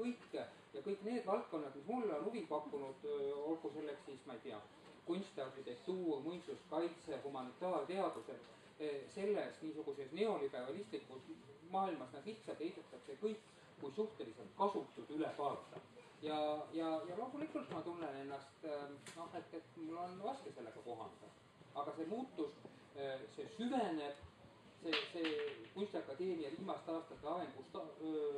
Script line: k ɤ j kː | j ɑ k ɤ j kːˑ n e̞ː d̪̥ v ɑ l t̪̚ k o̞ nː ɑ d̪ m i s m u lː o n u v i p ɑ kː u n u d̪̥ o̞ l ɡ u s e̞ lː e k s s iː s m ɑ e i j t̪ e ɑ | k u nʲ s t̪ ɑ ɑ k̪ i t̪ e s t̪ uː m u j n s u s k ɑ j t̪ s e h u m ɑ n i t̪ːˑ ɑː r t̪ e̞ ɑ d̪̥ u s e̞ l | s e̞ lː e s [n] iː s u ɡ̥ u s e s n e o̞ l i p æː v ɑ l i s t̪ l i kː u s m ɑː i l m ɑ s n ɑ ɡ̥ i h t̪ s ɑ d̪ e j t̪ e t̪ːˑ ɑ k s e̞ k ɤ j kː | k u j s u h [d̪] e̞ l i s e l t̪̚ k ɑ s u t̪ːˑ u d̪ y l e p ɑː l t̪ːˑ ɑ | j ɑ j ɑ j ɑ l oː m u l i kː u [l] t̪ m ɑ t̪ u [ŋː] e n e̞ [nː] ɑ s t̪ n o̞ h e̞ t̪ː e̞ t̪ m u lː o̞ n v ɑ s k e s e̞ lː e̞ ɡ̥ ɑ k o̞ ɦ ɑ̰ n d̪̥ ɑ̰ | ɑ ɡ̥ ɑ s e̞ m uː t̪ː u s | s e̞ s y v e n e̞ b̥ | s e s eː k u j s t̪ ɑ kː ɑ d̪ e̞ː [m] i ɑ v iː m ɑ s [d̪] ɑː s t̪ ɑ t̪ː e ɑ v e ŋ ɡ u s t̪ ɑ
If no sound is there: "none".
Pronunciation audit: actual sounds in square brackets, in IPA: n, t̪, l, nː, nː, m, t̪

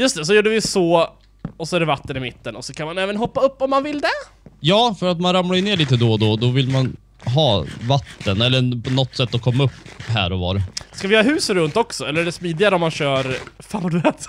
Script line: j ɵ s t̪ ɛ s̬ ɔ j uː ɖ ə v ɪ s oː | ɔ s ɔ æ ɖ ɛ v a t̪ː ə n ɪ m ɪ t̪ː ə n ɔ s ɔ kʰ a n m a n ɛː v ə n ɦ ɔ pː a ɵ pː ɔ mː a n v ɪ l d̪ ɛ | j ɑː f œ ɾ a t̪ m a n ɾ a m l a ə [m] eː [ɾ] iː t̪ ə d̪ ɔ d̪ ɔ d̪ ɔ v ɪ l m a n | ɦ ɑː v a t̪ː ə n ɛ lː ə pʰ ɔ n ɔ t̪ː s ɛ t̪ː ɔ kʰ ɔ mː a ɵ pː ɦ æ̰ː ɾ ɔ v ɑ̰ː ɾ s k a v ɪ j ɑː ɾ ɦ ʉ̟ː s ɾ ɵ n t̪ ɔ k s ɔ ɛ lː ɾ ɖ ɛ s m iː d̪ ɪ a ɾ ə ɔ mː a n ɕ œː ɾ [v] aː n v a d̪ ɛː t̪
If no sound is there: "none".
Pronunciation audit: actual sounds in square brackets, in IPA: n, ɭ, f

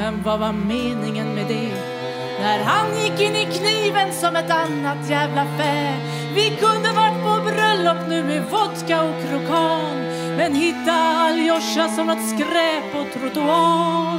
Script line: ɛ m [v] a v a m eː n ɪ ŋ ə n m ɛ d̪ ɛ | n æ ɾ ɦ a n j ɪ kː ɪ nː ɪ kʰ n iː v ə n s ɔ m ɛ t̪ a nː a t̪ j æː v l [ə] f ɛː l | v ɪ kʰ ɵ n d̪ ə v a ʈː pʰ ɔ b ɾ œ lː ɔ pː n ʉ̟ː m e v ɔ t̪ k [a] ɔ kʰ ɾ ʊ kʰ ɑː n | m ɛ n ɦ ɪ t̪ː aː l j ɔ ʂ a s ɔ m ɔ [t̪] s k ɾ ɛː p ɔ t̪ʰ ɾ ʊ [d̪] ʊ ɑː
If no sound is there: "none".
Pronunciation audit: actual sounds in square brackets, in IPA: v, a, a, t̪, t̪

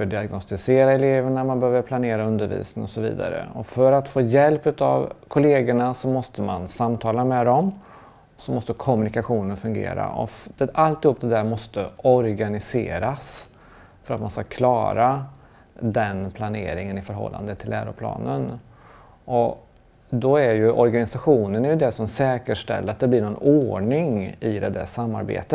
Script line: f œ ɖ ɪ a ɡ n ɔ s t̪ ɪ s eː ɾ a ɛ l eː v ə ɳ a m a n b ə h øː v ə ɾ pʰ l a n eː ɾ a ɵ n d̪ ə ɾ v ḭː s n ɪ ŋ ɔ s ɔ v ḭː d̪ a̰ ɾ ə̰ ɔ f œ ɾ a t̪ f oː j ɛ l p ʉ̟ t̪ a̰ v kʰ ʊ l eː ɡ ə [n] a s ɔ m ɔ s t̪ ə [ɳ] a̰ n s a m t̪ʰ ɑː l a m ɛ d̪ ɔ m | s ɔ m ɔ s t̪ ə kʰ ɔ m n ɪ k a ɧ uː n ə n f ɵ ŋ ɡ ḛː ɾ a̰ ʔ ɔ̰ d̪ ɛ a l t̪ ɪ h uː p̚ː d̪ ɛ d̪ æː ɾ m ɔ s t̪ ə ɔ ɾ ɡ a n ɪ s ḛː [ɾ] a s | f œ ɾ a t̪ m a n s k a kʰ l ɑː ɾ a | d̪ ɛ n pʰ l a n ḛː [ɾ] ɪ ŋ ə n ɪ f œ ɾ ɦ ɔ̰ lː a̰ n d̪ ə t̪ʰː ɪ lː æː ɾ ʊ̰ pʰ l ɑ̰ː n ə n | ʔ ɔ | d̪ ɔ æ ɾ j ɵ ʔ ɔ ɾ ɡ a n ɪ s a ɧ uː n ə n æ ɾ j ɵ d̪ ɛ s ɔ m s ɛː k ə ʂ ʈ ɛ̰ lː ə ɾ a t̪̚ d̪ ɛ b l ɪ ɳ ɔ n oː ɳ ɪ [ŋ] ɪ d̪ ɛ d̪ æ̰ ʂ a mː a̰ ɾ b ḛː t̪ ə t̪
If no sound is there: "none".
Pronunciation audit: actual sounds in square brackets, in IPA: ɳ, m, ɾ, ɾ, ŋ

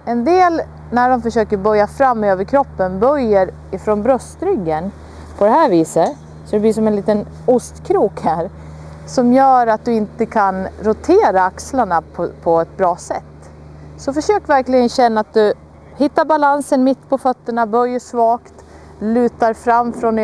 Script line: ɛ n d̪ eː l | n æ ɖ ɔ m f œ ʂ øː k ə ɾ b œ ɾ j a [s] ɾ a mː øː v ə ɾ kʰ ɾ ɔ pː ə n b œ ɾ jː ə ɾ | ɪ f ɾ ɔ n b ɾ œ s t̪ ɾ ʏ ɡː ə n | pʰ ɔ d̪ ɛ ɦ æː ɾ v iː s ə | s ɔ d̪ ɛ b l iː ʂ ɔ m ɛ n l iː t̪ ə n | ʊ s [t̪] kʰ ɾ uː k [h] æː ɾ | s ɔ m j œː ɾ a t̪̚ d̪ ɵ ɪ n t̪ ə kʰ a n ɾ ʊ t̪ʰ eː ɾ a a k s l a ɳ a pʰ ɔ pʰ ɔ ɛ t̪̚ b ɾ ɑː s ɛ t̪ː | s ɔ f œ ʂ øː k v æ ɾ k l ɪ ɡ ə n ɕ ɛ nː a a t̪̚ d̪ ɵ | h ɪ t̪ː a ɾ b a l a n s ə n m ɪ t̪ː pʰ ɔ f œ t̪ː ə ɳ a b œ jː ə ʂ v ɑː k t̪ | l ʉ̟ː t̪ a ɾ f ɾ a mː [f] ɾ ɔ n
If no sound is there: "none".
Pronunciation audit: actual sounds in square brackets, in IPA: f, t̪, h, f

